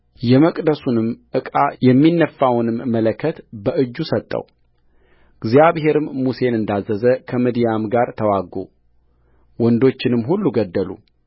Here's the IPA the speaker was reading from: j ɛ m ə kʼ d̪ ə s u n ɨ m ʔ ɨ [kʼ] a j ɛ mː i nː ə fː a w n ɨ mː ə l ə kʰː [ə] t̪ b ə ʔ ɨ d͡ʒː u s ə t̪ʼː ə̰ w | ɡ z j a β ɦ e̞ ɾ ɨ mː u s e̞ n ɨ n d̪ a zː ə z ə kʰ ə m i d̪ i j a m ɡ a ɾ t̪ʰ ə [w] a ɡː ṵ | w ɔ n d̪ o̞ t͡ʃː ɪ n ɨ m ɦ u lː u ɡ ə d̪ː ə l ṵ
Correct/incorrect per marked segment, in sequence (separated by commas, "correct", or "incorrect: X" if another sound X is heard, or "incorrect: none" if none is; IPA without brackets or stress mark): correct, correct, correct